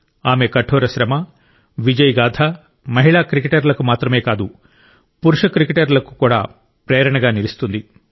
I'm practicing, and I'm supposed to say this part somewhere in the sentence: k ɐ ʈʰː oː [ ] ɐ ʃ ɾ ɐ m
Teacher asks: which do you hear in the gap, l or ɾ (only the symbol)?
ɾ